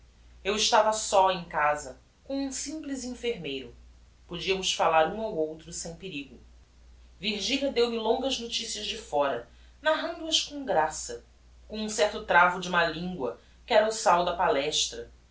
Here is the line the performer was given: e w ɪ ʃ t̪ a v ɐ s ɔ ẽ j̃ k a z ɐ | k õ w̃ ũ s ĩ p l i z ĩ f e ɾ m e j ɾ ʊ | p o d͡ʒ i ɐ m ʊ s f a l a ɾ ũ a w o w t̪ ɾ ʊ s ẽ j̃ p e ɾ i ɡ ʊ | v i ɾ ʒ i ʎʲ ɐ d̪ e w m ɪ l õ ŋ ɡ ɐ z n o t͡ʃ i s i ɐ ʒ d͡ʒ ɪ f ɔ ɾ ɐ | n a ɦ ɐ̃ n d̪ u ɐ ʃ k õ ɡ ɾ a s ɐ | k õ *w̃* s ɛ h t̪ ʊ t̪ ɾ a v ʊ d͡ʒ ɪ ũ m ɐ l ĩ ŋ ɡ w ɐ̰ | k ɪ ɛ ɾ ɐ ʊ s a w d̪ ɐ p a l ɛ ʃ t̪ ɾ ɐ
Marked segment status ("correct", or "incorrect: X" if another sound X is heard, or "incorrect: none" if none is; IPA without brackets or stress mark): incorrect: ũ